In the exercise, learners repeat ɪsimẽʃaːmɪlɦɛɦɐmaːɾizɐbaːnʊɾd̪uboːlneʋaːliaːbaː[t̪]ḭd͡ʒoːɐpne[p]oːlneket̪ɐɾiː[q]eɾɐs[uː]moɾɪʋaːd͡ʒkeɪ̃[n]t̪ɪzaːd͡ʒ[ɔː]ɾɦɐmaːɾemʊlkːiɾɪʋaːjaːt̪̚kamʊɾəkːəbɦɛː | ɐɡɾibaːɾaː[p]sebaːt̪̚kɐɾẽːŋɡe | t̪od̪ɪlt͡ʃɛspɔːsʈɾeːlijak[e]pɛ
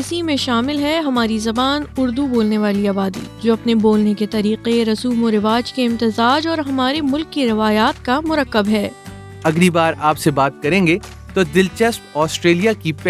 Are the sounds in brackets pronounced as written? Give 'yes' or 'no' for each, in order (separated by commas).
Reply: no, no, yes, yes, no, yes, yes, no